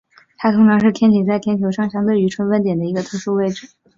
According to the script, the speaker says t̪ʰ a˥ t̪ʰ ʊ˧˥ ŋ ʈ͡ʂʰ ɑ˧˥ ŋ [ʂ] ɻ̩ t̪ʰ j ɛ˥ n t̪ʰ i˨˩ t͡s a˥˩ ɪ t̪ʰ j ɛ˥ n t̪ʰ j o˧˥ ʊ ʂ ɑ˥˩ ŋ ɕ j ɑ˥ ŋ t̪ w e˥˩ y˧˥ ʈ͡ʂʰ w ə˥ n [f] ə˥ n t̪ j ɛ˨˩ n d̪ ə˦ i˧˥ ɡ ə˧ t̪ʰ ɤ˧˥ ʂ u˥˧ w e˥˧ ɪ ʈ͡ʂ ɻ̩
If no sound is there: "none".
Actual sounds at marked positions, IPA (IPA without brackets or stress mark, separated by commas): ʂ, f